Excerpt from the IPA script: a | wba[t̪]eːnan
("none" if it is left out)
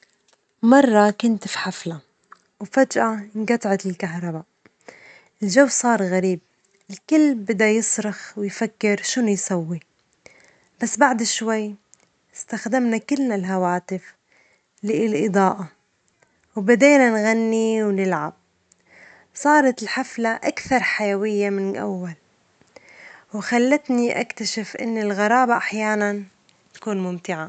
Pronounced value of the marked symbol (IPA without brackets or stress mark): d̪